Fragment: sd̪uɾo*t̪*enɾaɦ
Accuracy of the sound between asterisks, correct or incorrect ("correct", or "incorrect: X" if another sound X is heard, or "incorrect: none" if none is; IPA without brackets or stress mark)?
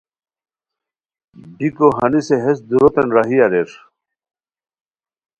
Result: correct